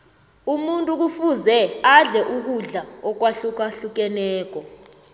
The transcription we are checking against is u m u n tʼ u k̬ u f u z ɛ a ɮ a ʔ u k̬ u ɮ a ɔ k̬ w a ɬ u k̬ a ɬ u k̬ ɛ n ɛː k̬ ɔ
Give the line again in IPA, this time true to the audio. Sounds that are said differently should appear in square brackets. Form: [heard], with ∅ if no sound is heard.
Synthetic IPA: u m u n tʼ u k̬ u f u z ɛ a ɮ [ɛ] ʔ u k̬ u ɮ a ɔ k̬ w a ɬ u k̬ a ɬ u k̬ ɛ n ɛː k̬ ɔ